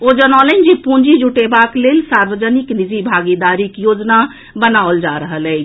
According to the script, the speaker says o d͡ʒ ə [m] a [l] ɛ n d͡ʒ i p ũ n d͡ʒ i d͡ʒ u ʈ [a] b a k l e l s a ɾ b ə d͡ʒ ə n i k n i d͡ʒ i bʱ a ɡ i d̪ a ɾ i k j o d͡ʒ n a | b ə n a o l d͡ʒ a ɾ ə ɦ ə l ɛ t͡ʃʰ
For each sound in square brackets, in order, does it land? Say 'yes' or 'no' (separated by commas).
no, yes, no